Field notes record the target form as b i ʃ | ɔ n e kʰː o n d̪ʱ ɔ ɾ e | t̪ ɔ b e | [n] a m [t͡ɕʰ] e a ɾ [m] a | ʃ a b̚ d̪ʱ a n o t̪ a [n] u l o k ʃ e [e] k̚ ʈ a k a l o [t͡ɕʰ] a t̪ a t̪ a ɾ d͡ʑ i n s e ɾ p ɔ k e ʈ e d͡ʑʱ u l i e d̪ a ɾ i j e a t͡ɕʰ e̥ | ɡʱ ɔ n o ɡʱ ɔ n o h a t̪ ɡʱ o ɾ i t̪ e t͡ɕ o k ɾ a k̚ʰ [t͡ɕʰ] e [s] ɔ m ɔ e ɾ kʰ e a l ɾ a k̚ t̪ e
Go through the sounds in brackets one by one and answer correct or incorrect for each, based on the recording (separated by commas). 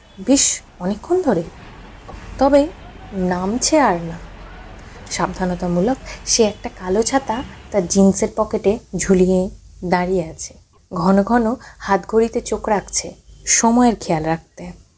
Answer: correct, correct, incorrect, incorrect, incorrect, correct, correct, incorrect